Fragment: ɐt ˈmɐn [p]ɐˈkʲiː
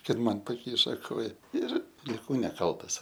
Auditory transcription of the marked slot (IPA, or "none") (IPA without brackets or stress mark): p